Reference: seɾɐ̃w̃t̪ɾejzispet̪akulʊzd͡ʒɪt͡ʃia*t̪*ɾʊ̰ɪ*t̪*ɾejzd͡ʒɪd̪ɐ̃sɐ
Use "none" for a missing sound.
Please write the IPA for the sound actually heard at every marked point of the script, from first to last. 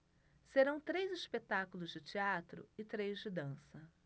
t̪, t̪

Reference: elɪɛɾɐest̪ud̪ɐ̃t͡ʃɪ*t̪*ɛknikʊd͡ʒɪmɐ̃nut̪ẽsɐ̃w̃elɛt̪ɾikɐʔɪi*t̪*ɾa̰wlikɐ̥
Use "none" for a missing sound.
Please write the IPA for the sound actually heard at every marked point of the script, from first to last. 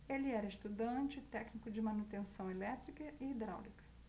t̪, d̪

